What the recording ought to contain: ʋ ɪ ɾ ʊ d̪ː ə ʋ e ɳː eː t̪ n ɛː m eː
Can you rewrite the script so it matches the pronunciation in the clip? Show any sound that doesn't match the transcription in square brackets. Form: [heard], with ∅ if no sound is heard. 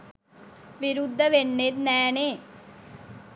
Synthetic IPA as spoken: ʋ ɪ ɾ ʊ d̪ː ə ʋ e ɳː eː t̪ n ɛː [n] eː